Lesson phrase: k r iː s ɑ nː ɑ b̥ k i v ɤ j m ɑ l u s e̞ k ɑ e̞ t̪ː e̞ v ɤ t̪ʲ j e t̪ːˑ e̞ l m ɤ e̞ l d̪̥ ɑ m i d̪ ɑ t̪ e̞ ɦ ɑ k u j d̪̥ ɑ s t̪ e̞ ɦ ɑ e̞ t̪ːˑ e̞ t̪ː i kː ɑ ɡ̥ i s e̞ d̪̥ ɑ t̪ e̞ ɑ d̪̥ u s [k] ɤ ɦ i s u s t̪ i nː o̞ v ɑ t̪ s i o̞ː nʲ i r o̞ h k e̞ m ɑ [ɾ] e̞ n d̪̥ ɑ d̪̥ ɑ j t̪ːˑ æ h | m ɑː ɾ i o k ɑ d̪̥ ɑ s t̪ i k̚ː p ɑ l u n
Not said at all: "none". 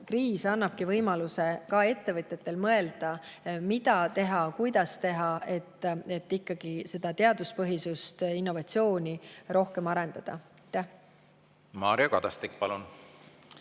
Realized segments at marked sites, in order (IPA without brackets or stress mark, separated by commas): p, ɾ